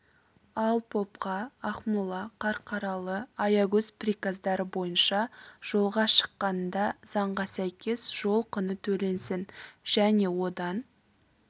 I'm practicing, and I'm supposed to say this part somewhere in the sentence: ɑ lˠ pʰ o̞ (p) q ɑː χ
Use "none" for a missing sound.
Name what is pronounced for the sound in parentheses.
p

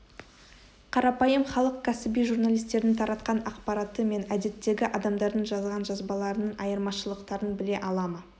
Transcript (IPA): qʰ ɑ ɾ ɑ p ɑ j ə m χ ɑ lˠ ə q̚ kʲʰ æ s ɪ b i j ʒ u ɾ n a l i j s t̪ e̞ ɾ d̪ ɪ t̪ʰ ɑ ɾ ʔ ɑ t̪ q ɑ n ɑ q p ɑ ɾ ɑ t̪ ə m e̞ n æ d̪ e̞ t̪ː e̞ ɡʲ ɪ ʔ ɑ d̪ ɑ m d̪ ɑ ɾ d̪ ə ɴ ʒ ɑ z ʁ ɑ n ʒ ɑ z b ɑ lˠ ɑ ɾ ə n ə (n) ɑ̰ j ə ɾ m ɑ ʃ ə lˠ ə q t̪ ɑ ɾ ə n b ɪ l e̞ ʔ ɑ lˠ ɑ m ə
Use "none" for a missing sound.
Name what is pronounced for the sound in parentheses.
ɴ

